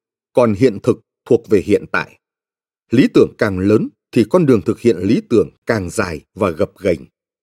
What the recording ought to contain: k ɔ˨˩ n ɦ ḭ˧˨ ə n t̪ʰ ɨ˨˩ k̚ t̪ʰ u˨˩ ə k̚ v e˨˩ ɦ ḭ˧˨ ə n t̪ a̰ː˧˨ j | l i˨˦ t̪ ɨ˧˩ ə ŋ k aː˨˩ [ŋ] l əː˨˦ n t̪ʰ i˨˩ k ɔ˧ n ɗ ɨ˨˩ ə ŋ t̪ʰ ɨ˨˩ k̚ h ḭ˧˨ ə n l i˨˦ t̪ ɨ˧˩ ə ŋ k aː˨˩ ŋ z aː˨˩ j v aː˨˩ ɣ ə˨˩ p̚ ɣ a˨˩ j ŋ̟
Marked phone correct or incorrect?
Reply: correct